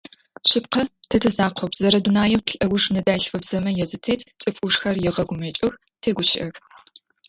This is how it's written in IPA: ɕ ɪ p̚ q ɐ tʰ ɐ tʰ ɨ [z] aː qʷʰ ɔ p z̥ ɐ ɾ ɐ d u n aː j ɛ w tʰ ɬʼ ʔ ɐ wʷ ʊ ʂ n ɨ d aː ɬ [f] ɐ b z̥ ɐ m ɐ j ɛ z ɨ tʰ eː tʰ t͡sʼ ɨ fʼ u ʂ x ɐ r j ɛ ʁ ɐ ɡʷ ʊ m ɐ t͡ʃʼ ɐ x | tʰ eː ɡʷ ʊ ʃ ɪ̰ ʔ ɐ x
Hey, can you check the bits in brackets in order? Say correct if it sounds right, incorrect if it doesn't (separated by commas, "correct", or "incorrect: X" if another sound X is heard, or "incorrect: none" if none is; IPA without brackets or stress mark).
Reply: correct, correct